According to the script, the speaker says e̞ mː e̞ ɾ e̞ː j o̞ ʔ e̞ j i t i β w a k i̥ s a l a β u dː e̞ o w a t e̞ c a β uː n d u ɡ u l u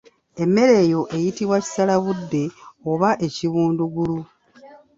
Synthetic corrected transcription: e̞ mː e̞ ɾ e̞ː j o̞ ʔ e̞ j i t i β w a c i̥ s a l a β u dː e̞ o β a ʔ e̞ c i β uː n d u ɡ u l u